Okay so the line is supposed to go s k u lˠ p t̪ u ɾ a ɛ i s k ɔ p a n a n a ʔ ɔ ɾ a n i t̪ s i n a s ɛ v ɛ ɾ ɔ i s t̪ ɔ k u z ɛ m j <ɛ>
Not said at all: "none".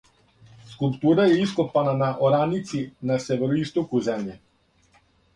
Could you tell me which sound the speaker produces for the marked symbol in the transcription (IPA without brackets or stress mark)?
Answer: ɛ